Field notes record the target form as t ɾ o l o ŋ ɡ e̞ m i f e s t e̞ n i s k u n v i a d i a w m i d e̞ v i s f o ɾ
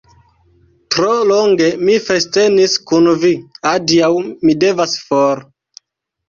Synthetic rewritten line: t ɾ o l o ŋ ɡ e̞ m i f e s t e̞ n i s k u n v i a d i a w m i d e̞ v a s f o ɾ